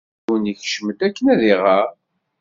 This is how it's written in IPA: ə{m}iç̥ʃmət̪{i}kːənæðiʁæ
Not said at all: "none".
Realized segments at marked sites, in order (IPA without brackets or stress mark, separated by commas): n, æ